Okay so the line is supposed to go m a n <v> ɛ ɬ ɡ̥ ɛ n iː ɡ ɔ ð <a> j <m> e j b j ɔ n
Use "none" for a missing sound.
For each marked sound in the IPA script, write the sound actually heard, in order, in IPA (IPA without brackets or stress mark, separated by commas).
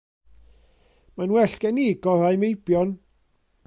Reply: w, a, m